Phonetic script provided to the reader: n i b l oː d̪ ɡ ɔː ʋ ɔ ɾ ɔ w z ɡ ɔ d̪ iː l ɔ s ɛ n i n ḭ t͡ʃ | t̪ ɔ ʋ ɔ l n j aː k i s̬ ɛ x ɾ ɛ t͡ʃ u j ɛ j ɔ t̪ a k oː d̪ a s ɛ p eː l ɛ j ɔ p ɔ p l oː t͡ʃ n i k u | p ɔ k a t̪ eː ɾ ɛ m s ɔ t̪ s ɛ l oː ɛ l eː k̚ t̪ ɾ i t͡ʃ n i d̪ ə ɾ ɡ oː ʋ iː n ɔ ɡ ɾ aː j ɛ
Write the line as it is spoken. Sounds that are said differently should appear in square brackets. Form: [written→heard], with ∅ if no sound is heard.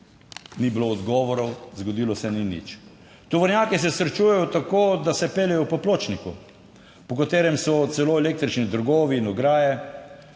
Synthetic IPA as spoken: n i b l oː d̪ ɡ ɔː ʋ ɔ ɾ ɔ w z ɡ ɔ d̪ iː l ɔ s ɛ n i n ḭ t͡ʃ | t̪ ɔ ʋ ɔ [l→ɾ] n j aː k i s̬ ɛ [x→s] ɾ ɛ t͡ʃ u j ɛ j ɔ t̪ a k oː d̪ a s ɛ p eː l ɛ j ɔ p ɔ p l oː t͡ʃ n i k u | p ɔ k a t̪ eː ɾ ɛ m s ɔ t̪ s ɛ l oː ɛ l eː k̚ t̪ ɾ i t͡ʃ n i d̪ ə ɾ ɡ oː ʋ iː n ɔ ɡ ɾ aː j ɛ